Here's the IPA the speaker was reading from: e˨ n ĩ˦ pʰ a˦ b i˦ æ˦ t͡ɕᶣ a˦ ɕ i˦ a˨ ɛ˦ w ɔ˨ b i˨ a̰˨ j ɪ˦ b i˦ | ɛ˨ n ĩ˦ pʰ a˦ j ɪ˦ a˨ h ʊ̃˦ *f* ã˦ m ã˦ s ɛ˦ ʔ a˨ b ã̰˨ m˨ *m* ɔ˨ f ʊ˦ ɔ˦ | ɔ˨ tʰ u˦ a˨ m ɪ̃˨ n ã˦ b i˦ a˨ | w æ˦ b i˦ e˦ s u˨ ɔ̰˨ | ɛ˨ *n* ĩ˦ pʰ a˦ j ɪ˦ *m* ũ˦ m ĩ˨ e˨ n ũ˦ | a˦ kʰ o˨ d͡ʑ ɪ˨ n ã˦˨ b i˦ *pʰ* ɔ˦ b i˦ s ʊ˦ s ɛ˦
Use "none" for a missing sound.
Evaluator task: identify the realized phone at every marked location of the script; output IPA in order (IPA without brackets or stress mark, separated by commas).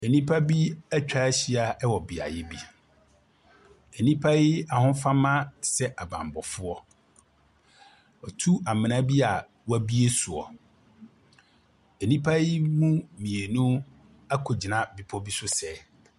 f, b, n, m, pʰ